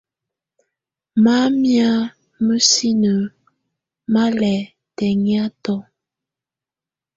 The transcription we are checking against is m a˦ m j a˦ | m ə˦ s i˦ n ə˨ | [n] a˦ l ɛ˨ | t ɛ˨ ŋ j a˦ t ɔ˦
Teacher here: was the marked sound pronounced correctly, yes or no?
no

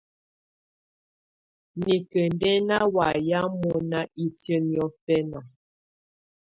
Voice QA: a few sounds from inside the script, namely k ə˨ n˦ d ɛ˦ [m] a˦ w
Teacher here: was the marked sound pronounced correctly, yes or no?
no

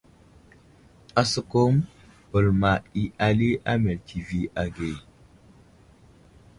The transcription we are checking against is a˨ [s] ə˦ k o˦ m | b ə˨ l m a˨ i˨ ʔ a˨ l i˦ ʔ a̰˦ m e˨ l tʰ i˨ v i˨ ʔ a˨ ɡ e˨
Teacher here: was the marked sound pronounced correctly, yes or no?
yes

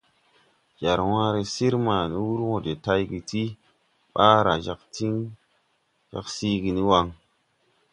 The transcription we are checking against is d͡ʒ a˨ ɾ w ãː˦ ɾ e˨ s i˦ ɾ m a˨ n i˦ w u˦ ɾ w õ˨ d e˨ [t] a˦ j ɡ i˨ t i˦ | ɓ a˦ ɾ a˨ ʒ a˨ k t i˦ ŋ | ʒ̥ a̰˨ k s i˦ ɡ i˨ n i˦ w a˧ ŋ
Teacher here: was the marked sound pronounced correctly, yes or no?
yes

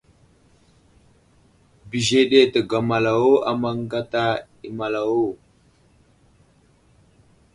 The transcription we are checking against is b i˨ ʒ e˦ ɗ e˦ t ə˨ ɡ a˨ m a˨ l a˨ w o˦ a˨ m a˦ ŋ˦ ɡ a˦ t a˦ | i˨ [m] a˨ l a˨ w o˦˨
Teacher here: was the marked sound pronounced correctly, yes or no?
yes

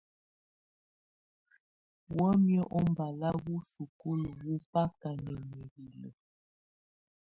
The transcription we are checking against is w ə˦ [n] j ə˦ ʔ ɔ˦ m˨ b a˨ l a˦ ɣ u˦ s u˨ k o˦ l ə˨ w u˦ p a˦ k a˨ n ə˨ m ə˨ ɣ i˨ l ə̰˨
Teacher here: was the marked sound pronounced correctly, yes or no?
no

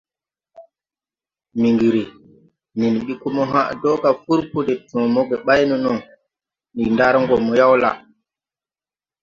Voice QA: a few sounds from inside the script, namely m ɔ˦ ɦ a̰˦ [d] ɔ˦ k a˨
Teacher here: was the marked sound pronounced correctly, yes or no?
yes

